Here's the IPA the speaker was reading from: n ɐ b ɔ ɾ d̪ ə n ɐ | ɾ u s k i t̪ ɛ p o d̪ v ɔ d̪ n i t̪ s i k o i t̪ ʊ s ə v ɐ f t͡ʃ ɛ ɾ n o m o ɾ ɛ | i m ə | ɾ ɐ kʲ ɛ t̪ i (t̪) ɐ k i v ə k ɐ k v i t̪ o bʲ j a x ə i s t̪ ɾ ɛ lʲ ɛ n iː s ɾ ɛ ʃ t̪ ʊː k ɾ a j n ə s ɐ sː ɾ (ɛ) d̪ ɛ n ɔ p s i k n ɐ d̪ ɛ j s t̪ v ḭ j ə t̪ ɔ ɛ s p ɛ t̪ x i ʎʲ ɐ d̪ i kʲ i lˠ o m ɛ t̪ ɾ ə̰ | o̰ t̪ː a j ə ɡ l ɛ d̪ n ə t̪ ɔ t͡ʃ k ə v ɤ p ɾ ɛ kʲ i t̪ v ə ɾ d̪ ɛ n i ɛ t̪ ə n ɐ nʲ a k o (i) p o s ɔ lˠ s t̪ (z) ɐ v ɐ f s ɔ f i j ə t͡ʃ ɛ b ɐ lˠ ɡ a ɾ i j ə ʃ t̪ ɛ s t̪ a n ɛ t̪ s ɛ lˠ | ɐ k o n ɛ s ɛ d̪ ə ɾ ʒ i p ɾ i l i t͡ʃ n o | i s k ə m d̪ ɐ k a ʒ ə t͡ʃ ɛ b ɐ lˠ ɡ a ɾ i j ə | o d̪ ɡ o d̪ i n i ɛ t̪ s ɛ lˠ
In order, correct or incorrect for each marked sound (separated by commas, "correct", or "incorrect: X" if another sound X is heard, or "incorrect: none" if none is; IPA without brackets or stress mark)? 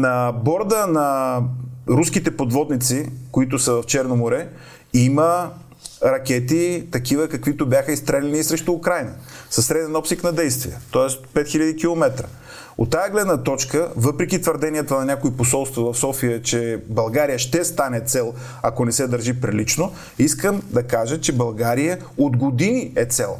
correct, correct, correct, incorrect: v